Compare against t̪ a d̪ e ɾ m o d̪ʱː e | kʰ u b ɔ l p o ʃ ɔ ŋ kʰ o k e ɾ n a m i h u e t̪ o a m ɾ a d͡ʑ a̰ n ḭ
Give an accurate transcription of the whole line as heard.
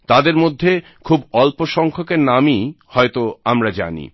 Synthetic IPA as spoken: t̪ a d̪ e ɾ m o d̪ʱː e | kʰ u b ɔ l p o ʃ ɔ ŋ kʰ o k e ɾ n a m i h ɔ e t̪ o a m ɾ a d͡ʑ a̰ n ḭ